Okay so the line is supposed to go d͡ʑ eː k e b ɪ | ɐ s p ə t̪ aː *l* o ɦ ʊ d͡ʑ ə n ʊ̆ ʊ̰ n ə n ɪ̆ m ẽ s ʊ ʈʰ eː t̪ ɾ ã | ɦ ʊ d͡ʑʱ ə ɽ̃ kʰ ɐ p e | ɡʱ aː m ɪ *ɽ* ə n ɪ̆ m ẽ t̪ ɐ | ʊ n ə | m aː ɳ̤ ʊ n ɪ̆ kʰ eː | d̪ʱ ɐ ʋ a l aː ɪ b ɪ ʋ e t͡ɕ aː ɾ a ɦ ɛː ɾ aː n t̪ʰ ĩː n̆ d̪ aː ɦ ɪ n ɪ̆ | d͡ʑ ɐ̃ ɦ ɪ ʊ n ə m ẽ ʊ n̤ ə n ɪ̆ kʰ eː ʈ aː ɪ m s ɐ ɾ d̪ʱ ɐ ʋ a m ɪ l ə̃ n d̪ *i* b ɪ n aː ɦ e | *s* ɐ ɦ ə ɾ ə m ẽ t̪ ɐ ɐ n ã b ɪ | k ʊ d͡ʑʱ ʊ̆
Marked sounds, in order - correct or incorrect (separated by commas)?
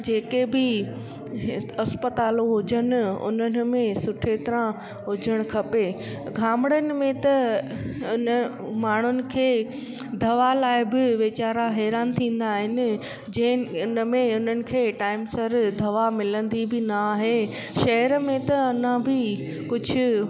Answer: correct, correct, correct, incorrect